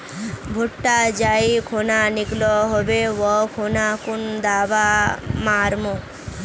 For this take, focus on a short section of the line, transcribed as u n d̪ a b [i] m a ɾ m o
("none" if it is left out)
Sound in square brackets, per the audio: a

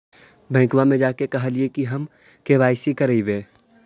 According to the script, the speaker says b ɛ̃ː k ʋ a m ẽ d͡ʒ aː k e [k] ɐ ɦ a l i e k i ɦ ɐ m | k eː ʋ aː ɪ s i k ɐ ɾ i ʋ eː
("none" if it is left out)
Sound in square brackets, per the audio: k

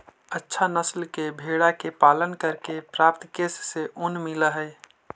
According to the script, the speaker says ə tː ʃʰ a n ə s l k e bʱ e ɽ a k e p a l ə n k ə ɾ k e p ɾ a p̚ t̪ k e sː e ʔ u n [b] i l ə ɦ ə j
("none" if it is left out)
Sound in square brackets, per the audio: m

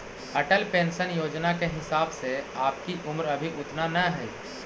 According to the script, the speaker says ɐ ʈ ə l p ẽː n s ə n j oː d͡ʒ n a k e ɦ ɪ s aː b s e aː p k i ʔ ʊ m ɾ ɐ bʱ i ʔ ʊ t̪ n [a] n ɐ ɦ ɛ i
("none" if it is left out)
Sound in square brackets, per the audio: a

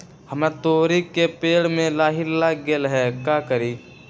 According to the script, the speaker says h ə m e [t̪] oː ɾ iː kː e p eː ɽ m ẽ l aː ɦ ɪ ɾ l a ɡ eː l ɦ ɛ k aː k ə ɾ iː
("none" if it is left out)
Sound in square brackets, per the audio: t̪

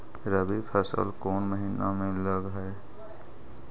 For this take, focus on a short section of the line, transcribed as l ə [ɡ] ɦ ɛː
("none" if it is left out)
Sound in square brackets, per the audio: ɡ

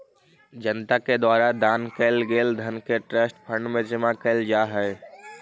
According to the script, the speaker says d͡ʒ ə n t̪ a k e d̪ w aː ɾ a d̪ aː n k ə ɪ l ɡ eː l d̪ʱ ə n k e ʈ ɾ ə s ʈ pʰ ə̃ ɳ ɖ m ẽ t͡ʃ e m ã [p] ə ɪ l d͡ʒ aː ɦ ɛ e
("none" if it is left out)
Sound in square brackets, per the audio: k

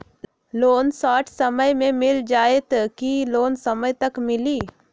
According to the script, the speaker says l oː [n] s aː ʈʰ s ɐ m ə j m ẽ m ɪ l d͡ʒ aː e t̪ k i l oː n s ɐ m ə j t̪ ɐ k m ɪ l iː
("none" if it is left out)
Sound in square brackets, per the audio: n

